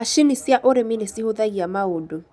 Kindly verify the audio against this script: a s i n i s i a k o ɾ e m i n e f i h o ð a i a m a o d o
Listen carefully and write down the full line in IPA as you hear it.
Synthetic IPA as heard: a ʃ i n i s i a ʔ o ɾ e m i n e s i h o ð a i a m a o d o